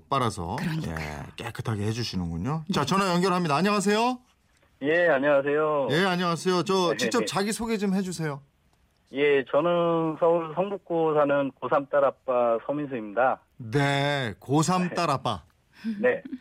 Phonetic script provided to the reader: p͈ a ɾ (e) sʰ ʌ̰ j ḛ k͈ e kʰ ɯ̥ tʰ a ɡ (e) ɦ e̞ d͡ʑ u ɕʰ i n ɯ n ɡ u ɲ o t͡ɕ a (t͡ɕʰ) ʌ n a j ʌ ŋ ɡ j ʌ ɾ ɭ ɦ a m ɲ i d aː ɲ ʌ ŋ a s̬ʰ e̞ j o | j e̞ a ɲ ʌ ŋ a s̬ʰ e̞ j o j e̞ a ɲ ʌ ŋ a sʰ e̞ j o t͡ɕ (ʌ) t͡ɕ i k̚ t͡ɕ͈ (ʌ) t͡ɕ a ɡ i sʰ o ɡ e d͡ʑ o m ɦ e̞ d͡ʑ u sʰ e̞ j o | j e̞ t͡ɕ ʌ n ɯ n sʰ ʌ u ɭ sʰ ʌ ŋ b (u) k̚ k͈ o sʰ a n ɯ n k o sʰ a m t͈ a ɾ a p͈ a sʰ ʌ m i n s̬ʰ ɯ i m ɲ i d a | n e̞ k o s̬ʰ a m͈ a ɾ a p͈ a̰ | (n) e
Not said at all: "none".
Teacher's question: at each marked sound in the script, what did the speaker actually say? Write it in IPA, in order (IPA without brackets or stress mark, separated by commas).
a, e, t͡ɕ, ʌ, ʌ, u, n